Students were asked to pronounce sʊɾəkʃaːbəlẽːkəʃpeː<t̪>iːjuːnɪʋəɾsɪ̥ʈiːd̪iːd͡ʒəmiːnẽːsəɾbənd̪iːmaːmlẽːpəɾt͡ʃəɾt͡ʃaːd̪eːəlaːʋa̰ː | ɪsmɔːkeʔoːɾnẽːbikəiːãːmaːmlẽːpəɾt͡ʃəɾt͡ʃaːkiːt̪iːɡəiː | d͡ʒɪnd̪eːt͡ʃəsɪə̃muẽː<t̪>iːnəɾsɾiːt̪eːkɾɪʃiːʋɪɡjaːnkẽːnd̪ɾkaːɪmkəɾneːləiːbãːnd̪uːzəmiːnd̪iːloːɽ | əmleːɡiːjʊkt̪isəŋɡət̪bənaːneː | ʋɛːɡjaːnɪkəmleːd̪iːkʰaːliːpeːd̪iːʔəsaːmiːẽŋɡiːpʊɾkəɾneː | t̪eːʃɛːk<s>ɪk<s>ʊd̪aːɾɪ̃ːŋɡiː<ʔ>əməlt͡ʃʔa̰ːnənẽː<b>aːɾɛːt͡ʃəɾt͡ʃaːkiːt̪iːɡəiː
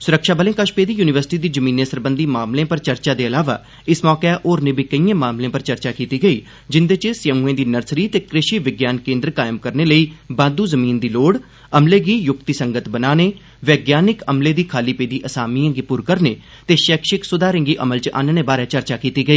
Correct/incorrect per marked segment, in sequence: incorrect: d̪, incorrect: d̪, incorrect: ʃ, correct, correct, correct

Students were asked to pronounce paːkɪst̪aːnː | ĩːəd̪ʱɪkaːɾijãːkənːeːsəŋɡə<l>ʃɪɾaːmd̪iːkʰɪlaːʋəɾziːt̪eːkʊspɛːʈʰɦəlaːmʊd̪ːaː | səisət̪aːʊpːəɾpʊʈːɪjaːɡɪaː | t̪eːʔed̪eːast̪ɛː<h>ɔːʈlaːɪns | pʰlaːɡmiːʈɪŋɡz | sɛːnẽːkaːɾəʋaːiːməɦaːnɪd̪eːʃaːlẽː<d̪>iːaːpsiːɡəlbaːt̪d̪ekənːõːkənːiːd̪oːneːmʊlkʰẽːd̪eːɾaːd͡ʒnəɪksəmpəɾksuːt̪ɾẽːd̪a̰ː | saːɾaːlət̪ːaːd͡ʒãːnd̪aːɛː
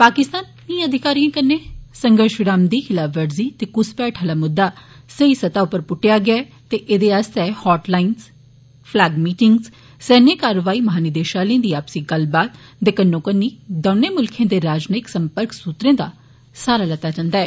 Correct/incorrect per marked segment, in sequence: incorrect: ɾ, correct, correct

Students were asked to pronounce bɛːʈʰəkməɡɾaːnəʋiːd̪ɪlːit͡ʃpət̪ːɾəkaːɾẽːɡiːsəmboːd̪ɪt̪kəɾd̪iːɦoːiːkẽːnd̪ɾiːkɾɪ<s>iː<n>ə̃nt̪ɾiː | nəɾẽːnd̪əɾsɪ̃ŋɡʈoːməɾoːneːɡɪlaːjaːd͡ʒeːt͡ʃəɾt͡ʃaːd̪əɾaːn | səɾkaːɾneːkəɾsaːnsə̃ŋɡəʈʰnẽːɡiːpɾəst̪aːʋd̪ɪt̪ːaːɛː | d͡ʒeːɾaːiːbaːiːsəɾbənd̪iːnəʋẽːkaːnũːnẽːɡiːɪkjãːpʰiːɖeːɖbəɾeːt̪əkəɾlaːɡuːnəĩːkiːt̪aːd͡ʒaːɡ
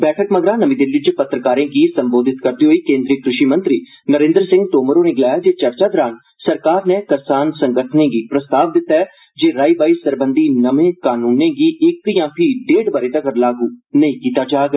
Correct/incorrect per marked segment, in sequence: incorrect: ʃ, incorrect: m

